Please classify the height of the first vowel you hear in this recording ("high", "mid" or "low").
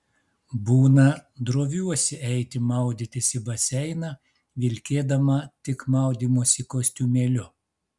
high